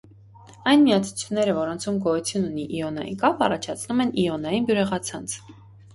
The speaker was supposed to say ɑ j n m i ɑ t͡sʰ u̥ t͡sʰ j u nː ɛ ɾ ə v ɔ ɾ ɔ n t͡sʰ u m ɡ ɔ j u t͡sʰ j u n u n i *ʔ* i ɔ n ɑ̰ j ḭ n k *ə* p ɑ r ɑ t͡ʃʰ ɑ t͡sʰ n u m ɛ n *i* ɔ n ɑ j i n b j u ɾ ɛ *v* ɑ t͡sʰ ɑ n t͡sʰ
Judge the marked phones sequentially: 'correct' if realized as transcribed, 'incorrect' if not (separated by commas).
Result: correct, incorrect, correct, incorrect